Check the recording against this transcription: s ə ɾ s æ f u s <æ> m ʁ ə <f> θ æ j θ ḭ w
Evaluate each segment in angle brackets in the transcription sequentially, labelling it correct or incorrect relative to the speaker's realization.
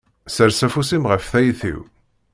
incorrect: i, correct

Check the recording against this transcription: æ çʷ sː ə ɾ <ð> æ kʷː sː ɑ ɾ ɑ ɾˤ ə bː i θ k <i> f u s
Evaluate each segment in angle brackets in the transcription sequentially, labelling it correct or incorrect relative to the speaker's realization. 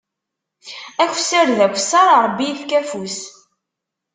correct, incorrect: æ

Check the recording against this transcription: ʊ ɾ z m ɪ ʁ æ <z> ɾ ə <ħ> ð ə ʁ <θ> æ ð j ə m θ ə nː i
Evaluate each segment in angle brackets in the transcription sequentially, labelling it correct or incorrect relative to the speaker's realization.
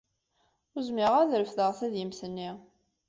incorrect: ð, incorrect: f, correct

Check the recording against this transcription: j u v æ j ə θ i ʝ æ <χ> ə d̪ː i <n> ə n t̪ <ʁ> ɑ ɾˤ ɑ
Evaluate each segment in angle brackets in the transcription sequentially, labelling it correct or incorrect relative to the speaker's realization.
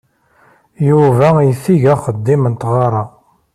correct, incorrect: m, correct

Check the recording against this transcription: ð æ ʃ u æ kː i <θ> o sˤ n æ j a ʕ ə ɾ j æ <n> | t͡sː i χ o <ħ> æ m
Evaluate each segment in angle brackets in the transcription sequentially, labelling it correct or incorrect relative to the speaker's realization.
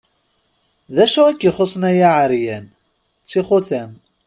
incorrect: χ, correct, incorrect: θ

